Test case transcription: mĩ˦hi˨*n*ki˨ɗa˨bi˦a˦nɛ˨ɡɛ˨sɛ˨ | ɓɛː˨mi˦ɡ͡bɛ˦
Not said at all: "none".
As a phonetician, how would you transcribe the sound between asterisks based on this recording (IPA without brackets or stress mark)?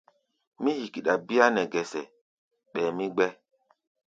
none